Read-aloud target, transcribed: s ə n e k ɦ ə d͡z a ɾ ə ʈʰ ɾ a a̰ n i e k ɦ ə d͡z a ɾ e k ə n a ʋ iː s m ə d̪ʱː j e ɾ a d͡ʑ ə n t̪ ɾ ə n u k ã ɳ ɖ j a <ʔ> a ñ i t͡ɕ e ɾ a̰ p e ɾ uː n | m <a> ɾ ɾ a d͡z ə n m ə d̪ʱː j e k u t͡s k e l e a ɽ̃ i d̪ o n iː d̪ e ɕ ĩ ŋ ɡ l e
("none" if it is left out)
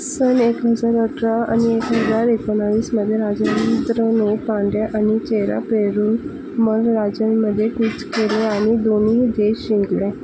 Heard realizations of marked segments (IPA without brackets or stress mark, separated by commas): ʔ, ə